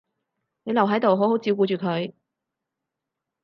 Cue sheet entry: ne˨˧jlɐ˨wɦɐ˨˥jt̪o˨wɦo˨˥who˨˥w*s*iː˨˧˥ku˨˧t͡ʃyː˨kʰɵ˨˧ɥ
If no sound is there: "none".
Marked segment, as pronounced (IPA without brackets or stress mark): t͡s